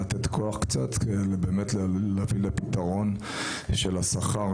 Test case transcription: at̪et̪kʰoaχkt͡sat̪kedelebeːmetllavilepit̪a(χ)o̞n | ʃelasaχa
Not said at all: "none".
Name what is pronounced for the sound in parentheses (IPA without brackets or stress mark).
ʁ